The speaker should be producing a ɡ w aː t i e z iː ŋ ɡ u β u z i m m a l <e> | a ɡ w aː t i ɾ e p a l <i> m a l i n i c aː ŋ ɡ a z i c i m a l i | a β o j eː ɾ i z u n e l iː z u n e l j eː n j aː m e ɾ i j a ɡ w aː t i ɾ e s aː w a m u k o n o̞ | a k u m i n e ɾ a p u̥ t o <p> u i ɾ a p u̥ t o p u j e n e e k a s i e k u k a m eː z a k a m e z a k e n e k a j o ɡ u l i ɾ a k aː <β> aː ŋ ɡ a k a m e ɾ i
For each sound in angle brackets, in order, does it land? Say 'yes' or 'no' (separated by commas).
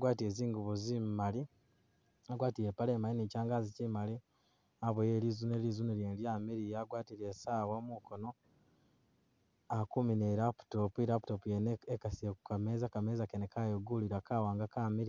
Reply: no, no, yes, no